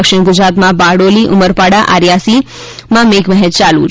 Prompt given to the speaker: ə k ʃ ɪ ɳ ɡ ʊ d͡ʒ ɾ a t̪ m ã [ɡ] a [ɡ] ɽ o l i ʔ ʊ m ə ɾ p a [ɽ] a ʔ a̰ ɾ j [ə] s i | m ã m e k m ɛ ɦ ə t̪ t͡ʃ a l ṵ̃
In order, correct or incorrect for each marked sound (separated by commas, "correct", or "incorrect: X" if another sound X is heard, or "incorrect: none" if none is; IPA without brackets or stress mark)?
incorrect: b, incorrect: none, correct, incorrect: a